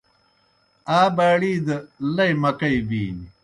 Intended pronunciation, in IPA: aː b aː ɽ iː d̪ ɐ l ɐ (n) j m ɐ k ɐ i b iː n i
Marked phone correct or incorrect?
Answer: incorrect